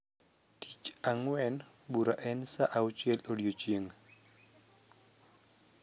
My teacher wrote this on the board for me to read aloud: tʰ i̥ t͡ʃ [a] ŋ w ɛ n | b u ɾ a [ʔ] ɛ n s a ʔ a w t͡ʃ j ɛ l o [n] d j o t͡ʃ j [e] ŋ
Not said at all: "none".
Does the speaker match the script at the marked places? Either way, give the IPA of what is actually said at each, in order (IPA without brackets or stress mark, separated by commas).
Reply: a, ʔ, none, e